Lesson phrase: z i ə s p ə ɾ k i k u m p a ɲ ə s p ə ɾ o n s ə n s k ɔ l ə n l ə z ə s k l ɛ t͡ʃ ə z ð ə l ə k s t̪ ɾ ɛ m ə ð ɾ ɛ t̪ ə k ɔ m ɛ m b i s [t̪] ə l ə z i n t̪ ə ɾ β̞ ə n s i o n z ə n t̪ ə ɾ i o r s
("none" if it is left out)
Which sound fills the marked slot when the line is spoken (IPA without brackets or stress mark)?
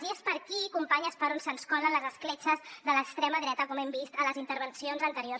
t̪